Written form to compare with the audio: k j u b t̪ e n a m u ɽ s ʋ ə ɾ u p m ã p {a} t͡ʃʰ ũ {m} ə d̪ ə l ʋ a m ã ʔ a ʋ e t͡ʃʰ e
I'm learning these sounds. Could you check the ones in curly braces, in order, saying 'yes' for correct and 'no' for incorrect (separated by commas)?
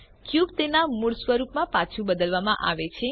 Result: yes, no